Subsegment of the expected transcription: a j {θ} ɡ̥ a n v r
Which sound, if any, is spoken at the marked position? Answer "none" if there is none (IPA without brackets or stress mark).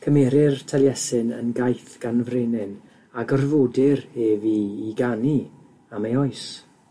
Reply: θ